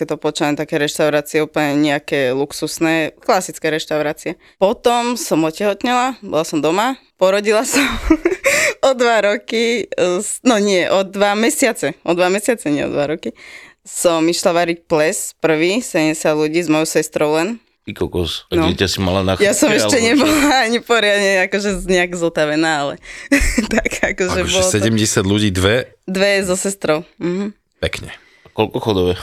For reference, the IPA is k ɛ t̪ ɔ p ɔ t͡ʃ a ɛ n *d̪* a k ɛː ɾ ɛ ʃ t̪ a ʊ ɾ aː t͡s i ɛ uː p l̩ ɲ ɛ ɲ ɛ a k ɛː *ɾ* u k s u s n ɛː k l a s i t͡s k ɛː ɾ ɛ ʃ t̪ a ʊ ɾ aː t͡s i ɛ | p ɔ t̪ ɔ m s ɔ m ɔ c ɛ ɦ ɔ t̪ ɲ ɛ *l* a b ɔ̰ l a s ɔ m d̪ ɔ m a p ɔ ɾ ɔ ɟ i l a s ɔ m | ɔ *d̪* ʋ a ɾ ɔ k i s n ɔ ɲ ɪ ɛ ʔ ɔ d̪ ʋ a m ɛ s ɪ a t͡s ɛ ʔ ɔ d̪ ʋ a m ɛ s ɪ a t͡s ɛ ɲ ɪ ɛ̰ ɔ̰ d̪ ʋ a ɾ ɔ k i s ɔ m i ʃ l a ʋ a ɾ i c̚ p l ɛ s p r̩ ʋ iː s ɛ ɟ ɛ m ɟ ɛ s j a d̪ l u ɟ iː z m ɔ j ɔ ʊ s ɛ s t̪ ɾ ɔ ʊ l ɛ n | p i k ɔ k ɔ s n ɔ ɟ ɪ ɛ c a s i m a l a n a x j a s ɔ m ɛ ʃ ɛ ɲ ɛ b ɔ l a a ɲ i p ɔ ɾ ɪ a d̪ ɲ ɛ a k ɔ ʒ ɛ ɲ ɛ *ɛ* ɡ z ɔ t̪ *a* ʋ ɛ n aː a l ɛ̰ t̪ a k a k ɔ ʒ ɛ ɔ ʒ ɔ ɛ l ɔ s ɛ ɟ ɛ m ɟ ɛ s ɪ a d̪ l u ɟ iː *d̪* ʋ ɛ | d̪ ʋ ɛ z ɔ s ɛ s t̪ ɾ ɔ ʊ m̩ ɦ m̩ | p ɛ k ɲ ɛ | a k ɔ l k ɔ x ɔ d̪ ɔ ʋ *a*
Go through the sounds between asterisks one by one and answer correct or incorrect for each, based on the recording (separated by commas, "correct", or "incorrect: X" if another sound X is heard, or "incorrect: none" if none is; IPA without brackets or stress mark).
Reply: incorrect: t̪, incorrect: l, correct, correct, incorrect: a, correct, correct, incorrect: ɛ